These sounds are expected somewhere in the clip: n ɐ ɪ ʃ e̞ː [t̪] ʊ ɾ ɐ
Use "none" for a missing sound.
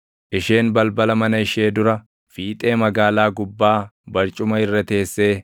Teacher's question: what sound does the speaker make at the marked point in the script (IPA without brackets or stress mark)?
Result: d̪